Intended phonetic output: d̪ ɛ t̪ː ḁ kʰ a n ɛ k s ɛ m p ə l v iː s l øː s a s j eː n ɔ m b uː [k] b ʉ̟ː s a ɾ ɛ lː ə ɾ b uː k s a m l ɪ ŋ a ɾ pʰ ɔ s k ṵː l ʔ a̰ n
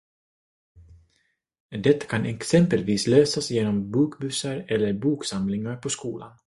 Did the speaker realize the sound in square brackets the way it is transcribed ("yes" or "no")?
yes